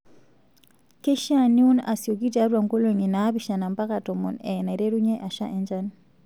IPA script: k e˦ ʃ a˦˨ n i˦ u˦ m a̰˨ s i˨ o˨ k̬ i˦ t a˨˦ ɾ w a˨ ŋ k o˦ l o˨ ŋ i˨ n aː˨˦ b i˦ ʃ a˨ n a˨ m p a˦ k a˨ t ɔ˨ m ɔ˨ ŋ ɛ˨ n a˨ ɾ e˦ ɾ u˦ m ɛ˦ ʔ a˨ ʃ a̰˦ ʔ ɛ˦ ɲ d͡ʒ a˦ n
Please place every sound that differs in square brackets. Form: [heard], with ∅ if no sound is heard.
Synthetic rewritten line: k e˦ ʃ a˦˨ n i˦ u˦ [n] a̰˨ s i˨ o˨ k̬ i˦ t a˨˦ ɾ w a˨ ŋ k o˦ l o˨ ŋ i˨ n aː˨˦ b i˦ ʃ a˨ n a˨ m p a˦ k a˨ t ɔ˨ m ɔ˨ [n] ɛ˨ n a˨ ɾ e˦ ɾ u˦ [ɲ] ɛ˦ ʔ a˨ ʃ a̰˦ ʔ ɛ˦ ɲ d͡ʒ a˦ n